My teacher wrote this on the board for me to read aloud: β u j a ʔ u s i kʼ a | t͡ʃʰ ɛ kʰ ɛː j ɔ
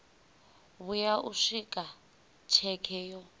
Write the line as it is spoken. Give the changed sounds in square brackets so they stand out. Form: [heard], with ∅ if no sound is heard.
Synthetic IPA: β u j a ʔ u [ʂ] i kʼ a | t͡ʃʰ ɛ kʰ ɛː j ɔ